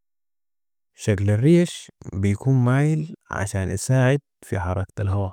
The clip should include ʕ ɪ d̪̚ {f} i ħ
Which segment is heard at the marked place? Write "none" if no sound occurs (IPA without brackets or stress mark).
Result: f